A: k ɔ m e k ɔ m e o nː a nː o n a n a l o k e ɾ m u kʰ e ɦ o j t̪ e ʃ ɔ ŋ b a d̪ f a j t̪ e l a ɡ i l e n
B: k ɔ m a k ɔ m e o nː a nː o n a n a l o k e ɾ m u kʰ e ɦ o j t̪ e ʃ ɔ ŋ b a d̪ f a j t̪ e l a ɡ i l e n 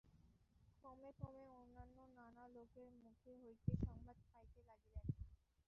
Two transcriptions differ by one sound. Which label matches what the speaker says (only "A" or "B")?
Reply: A